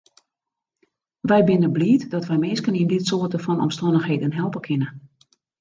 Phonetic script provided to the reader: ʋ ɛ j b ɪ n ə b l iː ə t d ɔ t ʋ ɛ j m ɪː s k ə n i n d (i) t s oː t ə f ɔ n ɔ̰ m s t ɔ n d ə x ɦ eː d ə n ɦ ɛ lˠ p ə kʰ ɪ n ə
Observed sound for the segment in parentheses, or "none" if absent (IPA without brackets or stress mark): ɪ